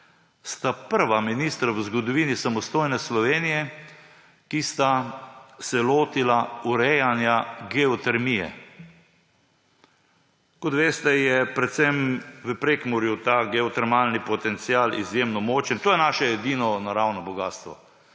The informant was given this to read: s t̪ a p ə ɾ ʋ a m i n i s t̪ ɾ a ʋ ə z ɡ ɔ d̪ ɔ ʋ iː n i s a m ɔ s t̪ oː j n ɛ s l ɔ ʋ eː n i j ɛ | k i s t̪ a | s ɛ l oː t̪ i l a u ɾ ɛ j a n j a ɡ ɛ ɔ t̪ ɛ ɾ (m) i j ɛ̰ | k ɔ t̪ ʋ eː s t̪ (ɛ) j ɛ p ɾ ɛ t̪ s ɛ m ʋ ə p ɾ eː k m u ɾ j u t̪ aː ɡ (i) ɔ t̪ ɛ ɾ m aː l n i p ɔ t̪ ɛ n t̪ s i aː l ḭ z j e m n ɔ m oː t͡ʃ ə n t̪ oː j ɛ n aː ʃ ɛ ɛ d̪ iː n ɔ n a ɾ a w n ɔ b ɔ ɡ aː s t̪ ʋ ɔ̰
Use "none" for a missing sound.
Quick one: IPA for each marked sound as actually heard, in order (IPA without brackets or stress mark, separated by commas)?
m, ɛ, ɛ